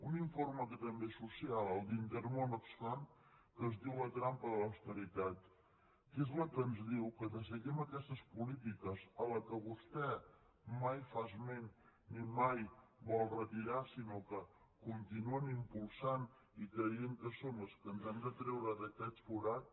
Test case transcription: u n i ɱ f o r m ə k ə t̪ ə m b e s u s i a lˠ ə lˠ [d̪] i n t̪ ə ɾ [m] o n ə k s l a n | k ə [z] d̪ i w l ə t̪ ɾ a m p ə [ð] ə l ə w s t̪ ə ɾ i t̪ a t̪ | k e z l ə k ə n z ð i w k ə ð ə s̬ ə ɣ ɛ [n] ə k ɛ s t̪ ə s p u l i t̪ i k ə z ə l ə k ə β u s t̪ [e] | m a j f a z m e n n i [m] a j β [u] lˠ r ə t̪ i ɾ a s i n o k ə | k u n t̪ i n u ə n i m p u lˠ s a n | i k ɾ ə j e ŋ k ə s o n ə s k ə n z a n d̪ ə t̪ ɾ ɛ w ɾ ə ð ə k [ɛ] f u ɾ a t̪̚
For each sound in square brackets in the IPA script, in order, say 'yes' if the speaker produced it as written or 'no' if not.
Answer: yes, yes, yes, yes, no, no, yes, no, yes

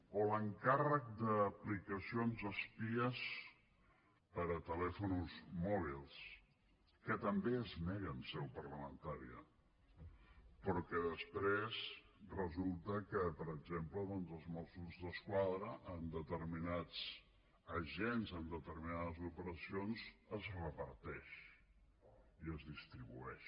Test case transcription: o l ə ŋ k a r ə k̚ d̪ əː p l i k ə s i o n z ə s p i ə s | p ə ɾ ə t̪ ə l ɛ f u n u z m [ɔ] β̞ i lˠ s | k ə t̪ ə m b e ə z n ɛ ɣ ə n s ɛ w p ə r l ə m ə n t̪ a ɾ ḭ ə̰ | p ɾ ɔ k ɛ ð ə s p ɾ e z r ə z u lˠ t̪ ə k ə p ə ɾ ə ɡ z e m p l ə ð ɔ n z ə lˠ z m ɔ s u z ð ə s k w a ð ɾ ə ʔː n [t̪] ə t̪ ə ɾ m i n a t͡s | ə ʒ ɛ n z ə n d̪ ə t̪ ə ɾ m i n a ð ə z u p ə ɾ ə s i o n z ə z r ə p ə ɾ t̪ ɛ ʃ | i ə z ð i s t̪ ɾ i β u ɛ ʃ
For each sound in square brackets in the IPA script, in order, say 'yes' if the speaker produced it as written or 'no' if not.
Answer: yes, no

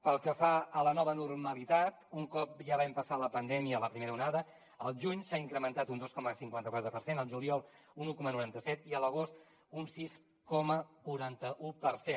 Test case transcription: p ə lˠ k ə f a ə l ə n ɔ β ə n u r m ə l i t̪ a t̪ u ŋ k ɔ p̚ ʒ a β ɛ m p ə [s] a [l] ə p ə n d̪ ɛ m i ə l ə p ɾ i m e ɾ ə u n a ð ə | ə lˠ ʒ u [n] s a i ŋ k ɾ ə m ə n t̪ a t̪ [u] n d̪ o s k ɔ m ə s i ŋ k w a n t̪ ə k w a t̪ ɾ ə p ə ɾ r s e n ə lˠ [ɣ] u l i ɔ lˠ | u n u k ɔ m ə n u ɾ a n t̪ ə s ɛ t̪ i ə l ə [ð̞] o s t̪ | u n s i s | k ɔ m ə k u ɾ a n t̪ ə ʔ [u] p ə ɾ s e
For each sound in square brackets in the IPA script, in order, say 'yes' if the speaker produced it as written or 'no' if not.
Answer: yes, yes, no, yes, no, no, yes

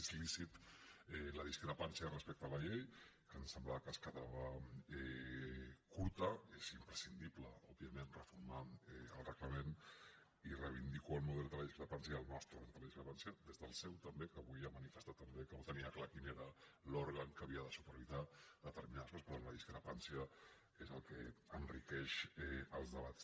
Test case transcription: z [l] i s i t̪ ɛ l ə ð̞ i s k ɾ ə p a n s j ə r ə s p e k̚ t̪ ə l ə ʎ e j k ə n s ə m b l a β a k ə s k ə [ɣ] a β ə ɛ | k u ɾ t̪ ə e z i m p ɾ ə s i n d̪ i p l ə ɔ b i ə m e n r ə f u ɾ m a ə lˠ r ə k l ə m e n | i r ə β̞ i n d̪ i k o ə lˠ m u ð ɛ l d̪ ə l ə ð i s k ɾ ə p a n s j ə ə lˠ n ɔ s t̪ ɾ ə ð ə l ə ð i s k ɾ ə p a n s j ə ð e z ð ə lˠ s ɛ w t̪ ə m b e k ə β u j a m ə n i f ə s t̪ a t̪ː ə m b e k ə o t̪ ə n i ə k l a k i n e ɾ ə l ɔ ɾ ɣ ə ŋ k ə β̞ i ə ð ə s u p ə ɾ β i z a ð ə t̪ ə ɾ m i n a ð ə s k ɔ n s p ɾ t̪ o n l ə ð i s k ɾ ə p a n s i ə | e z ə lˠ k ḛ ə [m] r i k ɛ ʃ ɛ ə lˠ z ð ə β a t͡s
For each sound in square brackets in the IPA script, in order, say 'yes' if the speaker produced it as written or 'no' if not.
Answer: yes, no, no

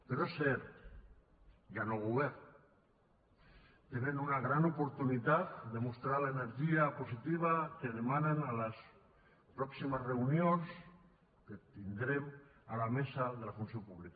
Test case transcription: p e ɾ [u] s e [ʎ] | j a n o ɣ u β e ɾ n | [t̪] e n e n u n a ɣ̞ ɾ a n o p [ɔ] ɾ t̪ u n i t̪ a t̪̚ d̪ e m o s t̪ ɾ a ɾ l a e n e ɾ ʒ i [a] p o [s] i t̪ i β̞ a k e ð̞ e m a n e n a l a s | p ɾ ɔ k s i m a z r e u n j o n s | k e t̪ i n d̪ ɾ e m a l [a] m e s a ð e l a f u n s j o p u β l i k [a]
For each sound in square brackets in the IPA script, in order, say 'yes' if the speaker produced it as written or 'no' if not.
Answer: no, no, yes, no, yes, yes, yes, yes

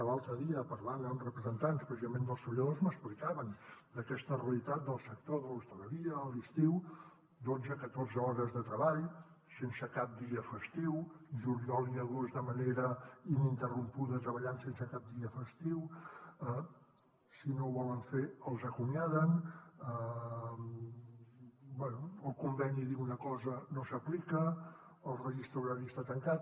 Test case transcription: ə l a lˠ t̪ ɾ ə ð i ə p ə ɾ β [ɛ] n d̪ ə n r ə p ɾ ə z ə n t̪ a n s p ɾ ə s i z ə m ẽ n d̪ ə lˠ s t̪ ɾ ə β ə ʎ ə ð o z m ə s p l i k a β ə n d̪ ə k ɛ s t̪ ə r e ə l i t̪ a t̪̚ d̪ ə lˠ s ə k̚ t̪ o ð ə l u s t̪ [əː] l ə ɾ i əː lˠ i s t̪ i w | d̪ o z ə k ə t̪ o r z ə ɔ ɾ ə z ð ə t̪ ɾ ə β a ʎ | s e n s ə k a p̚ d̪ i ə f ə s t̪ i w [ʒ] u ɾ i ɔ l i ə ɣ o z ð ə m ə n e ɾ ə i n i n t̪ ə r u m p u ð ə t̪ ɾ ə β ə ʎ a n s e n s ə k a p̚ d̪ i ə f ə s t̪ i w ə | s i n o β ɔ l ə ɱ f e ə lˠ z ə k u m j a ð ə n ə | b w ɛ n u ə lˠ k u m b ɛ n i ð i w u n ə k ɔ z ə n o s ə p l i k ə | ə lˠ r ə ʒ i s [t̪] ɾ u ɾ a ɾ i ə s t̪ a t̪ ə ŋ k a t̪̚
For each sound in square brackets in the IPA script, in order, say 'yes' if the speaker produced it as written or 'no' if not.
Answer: no, no, yes, yes

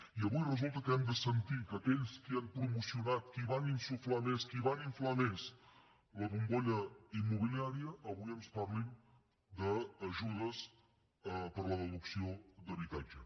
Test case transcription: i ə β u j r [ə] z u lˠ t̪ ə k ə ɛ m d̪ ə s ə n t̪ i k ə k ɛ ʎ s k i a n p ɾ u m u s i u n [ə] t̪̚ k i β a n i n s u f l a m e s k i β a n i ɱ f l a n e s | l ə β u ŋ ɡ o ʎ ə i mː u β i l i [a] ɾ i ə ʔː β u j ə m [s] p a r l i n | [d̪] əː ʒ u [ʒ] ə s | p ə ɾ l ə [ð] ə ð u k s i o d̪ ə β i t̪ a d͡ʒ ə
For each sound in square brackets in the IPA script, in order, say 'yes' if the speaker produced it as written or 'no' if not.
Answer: yes, no, yes, yes, yes, no, yes

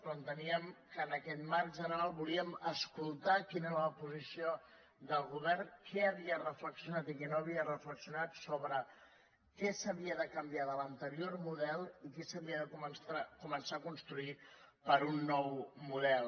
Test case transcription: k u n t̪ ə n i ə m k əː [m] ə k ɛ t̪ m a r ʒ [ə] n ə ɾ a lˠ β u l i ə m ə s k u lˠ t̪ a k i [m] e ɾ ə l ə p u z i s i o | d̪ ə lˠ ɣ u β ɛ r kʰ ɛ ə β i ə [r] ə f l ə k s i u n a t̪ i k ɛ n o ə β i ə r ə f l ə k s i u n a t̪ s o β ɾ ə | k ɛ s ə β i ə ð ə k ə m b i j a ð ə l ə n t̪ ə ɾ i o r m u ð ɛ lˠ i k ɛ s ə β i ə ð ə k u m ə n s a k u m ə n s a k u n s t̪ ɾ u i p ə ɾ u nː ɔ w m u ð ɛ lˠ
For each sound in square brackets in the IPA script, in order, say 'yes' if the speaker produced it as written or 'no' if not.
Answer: no, yes, no, yes

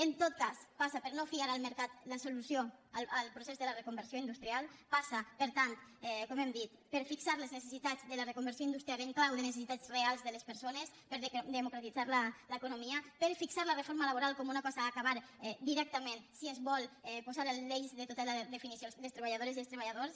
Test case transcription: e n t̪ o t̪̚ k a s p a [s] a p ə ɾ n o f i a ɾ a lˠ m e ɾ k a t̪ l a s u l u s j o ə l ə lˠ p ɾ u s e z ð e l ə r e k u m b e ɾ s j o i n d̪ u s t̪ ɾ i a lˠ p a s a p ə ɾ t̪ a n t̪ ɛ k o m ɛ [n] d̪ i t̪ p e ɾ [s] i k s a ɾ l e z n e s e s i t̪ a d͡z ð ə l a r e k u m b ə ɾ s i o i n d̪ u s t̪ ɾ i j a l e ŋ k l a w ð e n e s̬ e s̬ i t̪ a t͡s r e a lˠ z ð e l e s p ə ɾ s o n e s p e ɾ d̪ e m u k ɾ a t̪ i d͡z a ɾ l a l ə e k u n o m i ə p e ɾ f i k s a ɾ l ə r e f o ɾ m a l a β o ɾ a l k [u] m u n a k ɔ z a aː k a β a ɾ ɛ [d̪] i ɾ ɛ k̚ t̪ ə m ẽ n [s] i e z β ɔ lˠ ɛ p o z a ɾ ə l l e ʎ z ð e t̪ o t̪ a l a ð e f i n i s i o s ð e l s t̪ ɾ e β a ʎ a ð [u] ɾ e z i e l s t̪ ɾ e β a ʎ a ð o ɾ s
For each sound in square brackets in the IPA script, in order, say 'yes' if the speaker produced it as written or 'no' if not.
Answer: yes, no, no, no, yes, yes, no

